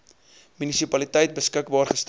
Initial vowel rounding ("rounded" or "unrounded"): rounded